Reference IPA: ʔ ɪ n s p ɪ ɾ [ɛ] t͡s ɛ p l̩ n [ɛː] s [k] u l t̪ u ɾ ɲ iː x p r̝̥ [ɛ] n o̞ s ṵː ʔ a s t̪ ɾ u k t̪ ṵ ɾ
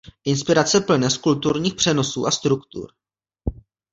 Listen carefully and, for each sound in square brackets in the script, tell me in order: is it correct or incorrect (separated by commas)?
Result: incorrect, incorrect, correct, correct